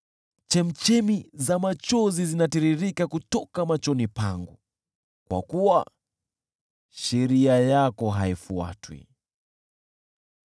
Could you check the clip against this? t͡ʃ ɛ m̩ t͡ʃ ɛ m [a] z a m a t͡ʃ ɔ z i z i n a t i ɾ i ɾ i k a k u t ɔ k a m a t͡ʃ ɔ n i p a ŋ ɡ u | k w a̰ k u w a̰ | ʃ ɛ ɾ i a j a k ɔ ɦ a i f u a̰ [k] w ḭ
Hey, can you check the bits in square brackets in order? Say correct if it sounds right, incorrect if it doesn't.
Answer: incorrect: i, incorrect: t

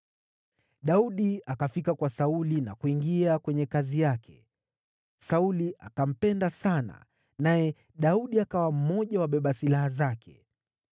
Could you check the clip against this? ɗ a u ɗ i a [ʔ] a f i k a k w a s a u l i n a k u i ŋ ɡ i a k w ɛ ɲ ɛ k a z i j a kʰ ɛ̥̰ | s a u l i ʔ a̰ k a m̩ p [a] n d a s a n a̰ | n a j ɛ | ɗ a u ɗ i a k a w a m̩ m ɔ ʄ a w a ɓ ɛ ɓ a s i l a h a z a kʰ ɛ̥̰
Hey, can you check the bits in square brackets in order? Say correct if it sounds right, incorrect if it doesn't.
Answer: incorrect: k, incorrect: ɛ

